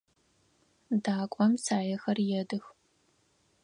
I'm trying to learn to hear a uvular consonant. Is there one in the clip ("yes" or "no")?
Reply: no